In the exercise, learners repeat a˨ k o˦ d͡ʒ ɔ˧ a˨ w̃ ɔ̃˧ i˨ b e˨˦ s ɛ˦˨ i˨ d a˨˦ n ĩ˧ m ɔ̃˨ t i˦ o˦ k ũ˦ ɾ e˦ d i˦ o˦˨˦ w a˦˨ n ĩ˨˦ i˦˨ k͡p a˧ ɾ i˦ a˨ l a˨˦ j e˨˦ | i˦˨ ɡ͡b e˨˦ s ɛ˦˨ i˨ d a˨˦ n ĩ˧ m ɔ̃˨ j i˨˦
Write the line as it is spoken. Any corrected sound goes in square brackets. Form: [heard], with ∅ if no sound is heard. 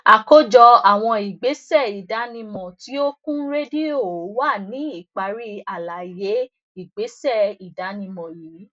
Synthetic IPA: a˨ k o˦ d͡ʒ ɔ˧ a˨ w̃ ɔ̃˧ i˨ [ɡ͡b] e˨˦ s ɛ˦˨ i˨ d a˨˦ n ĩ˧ m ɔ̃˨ t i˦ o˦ k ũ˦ ɾ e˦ d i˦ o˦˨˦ w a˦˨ n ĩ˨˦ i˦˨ k͡p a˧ ɾ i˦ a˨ l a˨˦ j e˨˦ | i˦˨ ɡ͡b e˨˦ s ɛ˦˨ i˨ d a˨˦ n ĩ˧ m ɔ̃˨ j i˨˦